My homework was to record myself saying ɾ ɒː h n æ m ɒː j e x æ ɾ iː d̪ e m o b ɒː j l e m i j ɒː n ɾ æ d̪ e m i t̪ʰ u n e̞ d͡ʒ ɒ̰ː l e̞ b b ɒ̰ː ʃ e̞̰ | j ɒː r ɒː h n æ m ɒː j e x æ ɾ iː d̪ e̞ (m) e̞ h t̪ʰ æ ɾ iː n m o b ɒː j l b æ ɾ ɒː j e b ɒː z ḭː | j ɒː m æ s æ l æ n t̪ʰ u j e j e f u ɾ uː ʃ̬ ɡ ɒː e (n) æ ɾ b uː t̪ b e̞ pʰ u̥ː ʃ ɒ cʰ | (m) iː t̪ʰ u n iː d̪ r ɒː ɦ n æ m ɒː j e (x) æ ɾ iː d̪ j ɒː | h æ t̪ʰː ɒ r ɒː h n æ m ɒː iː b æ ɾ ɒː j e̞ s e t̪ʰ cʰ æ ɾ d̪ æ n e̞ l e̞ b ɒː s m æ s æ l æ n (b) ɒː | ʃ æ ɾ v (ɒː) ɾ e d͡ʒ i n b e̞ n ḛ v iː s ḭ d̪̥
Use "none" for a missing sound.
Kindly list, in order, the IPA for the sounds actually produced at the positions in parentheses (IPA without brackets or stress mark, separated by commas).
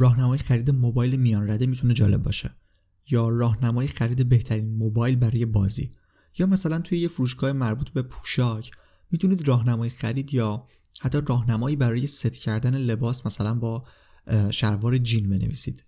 b, m, m, x, b, ɒː